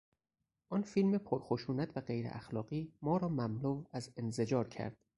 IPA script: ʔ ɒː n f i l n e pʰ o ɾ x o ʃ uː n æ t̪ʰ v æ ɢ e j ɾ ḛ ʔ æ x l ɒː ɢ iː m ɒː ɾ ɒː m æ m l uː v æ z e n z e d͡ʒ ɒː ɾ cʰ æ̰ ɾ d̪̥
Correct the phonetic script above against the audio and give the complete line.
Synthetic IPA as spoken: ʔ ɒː n f i l m e pʰ o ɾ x o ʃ uː n æ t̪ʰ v æ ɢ e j ɾ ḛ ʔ æ x l ɒː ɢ iː m ɒː ɾ ɒː m æ m l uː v æ z e n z e d͡ʒ ɒː ɾ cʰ æ̰ ɾ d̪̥

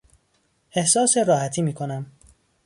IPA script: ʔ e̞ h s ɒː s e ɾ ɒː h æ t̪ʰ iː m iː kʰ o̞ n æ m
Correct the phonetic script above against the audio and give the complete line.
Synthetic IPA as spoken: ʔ e̞ h s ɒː s e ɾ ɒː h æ t̪ʰ iː m iː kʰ o̞ n æ m

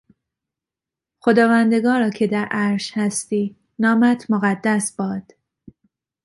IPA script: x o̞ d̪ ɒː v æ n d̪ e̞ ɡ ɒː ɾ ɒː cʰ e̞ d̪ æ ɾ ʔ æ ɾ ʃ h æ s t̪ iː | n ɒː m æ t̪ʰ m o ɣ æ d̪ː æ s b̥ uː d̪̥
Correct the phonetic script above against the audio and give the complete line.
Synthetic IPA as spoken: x o̞ d̪ ɒː v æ n d̪ e̞ ɡ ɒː ɾ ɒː cʰ e̞ d̪ æ ɾ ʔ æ ɾ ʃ h æ s t̪ iː | n ɒː m æ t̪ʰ m o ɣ æ d̪ː æ s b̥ ɒː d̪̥

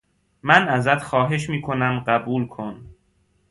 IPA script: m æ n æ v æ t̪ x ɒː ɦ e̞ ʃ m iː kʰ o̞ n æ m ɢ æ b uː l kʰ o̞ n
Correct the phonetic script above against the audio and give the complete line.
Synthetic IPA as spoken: m æ n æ z æ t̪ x ɒː ɦ e̞ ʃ m iː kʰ o̞ n æ m ɢ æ b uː l kʰ o̞ n

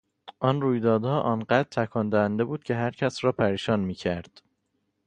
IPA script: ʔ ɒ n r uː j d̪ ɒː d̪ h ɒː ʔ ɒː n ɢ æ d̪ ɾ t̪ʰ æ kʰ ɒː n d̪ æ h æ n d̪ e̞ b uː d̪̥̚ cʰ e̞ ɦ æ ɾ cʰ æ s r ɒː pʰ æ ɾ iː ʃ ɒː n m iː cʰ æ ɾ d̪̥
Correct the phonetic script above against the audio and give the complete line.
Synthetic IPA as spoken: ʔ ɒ n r uː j d̪ ɒː d̪ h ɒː ʔ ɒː n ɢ æ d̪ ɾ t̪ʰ æ kʰ ɒː n d̪ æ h æ n d̪ e̞ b uː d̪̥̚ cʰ e̞ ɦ æ ɾ cʰ æ s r ɒː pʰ æ ɾ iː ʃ ɒː n m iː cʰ æ ɾ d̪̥

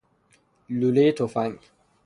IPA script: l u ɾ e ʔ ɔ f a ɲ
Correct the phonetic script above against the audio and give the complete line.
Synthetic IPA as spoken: l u l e t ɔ f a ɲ

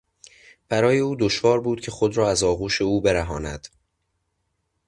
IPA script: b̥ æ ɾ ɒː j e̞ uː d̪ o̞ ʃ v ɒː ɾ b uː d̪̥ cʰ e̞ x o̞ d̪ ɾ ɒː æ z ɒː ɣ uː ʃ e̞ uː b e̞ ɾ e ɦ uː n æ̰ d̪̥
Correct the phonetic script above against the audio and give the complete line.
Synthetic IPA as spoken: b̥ æ ɾ ɒː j e̞ uː d̪ o̞ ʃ v ɒː ɾ b uː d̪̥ cʰ e̞ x o̞ d̪ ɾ ɒː æ z ɒː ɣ uː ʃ e̞ uː b e̞ ɾ æ ɦ ɒː n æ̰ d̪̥

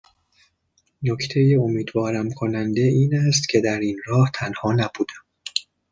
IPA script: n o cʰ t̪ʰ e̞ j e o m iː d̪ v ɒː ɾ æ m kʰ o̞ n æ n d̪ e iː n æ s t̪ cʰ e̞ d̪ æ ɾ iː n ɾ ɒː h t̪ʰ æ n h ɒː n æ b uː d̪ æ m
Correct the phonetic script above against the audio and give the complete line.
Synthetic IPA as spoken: n o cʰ t̪ʰ e̞ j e o m iː d̪ v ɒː ɾ æ m kʰ o̞ n æ n d̪ e iː n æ s t̪ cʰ e̞ d̪ æ ɾ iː n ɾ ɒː h t̪ʰ æ n h ɒː n æ b uː d̪ æ m

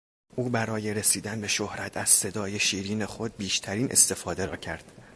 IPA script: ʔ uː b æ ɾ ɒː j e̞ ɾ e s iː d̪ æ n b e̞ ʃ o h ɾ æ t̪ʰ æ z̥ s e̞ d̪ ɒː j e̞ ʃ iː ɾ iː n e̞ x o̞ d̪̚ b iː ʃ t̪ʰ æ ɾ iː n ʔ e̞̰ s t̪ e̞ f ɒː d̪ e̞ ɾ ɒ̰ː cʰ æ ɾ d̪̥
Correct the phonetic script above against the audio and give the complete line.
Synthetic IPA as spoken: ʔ uː b æ ɾ ɒː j e̞ ɾ e s iː d̪ æ n b e̞ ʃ o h ɾ æ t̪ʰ æ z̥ s e̞ d̪ ɒː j e̞ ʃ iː ɾ iː n e̞ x o̞ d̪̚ b iː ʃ t̪ʰ æ ɾ iː n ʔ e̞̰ s t̪ e̞ f ɒː d̪ e̞ ɾ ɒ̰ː cʰ æ ɾ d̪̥

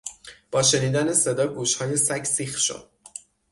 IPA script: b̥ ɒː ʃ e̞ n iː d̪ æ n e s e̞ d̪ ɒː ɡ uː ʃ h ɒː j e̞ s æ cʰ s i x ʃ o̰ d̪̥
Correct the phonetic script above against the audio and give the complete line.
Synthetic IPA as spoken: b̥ ɒː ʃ e̞ n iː d̪ æ n e s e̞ d̪ ɒː ɡ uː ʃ h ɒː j e̞ s æ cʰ s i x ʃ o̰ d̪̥

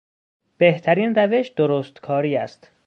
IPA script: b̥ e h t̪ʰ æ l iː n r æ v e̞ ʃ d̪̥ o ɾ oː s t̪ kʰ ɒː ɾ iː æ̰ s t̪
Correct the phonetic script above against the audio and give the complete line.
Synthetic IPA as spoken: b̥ e h t̪ʰ æ ɾ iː n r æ v e̞ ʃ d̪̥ o ɾ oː s t̪ kʰ ɒː ɾ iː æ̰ s t̪

